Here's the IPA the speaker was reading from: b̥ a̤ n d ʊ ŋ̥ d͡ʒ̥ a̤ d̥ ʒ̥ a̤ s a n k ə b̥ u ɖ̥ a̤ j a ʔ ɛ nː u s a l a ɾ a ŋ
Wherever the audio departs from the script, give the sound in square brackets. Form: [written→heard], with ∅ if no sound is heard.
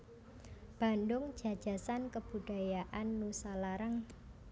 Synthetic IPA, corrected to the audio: b̥ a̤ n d ʊ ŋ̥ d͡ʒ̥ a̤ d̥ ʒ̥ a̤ s a n k ə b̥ u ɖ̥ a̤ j a ʔ [ɛ→a] nː u s a l a ɾ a ŋ